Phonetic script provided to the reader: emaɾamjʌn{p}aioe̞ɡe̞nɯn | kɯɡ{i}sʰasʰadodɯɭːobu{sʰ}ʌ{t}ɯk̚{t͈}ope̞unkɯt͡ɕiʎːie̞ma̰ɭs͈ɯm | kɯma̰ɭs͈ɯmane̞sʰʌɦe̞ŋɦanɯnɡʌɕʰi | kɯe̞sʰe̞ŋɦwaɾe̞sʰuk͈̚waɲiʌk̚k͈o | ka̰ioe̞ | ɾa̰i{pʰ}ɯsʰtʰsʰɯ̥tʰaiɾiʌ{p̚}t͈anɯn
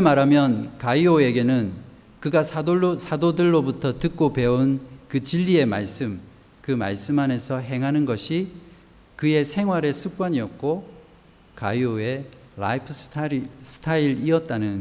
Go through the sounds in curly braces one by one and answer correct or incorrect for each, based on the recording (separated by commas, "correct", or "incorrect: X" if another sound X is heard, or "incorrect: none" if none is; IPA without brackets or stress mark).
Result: incorrect: k, incorrect: a, incorrect: tʰ, correct, incorrect: k͈, correct, incorrect: t̚